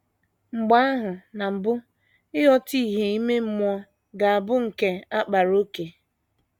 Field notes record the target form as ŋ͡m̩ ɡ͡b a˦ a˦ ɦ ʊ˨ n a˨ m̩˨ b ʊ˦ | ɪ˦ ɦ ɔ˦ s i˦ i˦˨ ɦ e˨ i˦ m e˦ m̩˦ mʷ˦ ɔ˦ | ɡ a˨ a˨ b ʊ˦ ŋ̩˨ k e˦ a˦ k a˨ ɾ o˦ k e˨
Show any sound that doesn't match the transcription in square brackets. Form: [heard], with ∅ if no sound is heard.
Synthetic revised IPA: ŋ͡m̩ ɡ͡b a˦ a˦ ɦ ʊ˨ n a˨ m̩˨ b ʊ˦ | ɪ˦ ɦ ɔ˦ [t] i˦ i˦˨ ɦ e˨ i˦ m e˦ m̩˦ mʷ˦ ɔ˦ | ɡ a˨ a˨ b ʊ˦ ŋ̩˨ k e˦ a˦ [k͡p] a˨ ɾ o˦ k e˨

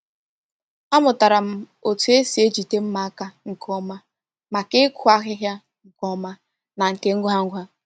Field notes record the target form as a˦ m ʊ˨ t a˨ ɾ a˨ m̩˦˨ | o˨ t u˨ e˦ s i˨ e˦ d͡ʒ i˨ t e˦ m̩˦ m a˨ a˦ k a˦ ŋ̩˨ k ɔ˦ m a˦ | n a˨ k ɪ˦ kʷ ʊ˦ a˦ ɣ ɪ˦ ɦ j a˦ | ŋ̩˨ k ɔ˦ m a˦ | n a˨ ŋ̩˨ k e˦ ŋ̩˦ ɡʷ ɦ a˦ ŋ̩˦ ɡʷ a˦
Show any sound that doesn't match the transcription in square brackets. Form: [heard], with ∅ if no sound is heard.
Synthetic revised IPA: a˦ m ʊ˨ t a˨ ɾ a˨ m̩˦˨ | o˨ t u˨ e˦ s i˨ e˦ d͡ʒ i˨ t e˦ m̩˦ m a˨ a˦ k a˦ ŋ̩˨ k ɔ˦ m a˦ | [m] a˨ k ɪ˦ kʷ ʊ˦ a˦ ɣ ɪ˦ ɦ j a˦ | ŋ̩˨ k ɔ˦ m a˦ | n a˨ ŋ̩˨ k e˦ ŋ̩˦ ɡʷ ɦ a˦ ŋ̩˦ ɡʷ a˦

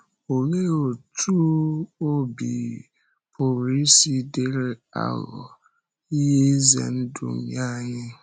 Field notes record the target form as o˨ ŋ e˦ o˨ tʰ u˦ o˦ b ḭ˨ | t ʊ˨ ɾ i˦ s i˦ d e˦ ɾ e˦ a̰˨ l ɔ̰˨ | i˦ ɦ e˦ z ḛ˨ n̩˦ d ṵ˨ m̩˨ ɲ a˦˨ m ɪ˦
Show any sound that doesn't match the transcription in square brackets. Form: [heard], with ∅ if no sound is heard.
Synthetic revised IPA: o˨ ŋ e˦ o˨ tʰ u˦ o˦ b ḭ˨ | [p] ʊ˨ ɾ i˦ s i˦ d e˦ ɾ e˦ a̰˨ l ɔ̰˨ | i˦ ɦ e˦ z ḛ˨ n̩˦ d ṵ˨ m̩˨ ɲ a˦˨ [ɲ] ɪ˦

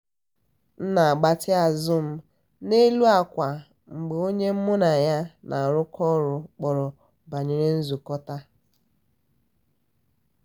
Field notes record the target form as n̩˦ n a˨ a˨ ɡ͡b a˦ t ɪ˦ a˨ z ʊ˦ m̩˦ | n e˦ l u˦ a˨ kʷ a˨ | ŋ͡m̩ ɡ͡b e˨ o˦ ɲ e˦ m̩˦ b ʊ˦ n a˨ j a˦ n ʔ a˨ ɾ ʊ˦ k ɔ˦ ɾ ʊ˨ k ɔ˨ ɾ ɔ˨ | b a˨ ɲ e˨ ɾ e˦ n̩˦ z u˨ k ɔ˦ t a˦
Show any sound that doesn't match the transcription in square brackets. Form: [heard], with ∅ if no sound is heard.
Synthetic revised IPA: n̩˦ n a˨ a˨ ɡ͡b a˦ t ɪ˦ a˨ z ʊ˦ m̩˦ | n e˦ l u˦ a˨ kʷ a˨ | ŋ͡m̩ ɡ͡b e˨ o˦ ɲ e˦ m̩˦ [m] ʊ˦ n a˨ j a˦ n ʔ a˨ ɾ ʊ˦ k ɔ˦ ɾ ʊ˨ [k͡p] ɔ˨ ɾ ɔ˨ | b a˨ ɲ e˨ ɾ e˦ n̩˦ z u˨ k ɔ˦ t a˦

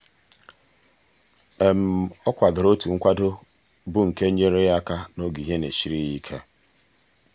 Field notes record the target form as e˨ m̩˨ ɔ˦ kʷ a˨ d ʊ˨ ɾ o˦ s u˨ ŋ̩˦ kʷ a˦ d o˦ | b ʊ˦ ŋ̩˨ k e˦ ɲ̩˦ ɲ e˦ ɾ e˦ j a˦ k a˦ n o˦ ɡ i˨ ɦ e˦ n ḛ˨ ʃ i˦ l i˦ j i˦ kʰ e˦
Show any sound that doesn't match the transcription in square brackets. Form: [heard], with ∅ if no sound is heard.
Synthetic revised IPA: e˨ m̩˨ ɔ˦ kʷ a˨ d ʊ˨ ɾ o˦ [t] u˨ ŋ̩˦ kʷ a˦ d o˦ | b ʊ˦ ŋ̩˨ k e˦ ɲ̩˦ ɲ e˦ ɾ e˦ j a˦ k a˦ n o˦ ɡ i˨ ɦ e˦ n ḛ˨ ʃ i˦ [ɾ] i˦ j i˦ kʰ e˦

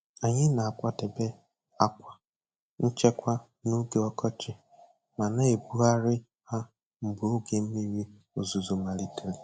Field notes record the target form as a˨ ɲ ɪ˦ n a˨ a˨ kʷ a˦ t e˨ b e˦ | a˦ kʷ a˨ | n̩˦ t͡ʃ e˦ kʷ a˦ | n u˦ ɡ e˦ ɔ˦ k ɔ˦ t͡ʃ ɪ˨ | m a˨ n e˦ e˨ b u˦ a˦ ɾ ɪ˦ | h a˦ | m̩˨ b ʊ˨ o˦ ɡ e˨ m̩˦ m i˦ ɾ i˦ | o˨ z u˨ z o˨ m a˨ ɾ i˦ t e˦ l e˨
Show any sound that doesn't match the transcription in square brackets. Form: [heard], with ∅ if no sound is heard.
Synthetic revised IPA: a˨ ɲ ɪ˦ n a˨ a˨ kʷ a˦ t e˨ b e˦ | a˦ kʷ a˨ | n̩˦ t͡ʃ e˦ kʷ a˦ | n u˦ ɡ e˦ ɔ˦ k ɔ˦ t͡ʃ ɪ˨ | m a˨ n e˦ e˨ b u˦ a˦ ɾ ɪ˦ | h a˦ | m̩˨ b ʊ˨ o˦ ɡ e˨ m̩˦ m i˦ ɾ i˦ | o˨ z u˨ z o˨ m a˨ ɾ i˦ t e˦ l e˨

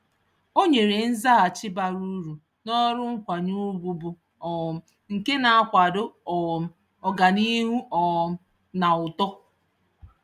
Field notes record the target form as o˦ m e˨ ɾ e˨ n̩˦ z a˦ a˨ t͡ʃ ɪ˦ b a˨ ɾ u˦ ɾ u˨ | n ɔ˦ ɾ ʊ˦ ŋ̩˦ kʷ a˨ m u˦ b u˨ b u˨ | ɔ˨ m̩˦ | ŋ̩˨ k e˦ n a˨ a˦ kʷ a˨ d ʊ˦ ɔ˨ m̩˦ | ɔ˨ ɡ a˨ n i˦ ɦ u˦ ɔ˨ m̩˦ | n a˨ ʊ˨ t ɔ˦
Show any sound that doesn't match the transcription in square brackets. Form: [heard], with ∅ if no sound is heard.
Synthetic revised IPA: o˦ [ɲ] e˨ ɾ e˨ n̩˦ z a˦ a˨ t͡ʃ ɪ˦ b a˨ ɾ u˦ ɾ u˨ | n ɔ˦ ɾ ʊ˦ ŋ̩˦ kʷ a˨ [ɲ] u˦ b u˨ b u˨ | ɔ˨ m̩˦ | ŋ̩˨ k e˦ n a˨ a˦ kʷ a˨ d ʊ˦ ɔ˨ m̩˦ | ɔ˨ ɡ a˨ n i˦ ɦ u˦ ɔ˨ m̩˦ | n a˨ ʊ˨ t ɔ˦

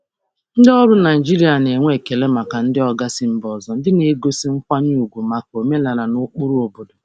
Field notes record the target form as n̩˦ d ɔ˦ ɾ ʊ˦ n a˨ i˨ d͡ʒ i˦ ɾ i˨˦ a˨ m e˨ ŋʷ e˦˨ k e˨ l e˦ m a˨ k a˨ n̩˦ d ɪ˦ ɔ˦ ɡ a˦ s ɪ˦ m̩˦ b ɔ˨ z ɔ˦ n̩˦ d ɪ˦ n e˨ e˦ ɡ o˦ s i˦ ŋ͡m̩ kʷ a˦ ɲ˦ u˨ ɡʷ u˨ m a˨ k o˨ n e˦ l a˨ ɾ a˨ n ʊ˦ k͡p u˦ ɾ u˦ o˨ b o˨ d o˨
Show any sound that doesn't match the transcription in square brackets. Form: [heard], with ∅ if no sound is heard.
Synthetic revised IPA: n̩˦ d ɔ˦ ɾ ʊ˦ n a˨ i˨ d͡ʒ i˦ ɾ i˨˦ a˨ [n] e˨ ŋʷ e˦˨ k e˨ l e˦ m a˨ k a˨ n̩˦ d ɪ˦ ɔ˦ ɡ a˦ s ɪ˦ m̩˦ b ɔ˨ z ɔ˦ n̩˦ d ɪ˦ n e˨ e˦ ɡ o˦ s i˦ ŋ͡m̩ kʷ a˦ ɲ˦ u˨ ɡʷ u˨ m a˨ k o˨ [m] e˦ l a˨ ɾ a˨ n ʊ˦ k͡p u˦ ɾ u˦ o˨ b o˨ d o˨

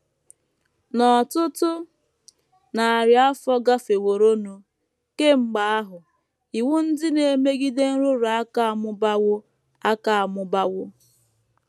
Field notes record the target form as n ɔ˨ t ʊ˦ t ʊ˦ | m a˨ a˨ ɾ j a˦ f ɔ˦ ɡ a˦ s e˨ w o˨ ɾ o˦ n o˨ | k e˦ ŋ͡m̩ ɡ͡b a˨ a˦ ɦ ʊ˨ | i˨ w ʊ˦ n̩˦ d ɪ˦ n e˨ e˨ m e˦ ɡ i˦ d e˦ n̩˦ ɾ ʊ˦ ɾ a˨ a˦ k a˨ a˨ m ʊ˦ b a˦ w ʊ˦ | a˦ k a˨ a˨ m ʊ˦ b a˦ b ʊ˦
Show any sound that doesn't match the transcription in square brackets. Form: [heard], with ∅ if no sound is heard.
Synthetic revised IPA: n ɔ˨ t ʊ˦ t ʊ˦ | [n] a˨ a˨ ɾ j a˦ f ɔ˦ ɡ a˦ [f] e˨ w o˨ ɾ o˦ n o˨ | k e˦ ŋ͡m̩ ɡ͡b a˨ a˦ ɦ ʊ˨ | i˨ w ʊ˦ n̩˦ d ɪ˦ n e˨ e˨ m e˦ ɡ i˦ d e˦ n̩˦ ɾ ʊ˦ ɾ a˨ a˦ k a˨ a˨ m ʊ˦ b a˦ w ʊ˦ | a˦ k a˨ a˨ m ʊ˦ b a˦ [w] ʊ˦

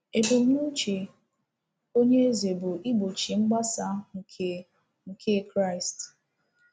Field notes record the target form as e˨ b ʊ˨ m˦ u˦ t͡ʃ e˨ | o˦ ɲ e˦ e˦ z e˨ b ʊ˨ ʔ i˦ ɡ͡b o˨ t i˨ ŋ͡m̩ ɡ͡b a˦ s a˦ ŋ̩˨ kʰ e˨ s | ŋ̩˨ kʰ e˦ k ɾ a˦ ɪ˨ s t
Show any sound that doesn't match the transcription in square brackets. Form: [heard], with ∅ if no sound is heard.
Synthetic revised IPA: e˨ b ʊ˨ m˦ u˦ t͡ʃ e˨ | o˦ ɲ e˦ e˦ z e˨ b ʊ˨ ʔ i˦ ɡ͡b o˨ [t͡ʃ] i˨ ŋ͡m̩ ɡ͡b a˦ s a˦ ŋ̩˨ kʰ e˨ [∅] | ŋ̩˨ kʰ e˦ k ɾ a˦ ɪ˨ s t

